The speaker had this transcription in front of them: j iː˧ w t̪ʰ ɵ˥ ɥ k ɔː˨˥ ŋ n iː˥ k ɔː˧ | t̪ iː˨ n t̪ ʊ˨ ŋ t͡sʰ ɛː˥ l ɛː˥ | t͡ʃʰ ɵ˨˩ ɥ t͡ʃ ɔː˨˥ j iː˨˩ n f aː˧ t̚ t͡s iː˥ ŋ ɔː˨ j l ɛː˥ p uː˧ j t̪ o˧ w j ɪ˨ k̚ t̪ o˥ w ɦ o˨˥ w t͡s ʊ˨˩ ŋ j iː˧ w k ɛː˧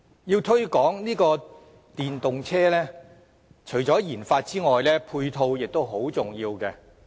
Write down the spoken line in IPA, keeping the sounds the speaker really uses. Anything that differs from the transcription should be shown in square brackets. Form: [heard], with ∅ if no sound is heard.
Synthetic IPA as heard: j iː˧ w t̪ʰ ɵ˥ ɥ k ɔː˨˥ ŋ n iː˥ k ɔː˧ | t̪ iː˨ n t̪ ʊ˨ ŋ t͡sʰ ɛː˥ l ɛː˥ | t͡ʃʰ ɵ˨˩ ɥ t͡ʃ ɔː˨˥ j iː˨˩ n f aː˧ t̚ t͡s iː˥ ŋ ɔː˨ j l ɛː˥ [pʰ] uː˧ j [t̪ʰ] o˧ w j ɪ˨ k̚ t̪ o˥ w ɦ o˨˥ w t͡s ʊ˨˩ ŋ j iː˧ w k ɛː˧